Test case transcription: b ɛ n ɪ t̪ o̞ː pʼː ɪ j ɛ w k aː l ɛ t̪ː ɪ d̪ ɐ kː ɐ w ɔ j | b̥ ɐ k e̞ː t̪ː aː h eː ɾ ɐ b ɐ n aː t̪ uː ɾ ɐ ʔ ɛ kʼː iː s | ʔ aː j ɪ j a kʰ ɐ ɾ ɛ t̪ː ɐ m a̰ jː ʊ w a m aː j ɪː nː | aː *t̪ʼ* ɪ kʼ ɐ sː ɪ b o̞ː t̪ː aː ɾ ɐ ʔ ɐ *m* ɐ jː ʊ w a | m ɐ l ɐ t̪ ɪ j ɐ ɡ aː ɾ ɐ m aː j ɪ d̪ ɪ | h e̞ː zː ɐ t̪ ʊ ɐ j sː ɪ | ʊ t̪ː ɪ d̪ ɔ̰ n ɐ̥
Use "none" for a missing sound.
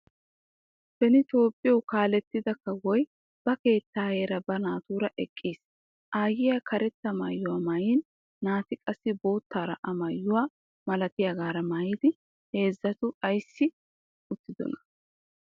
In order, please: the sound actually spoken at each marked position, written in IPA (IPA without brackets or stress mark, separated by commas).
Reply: t̪, m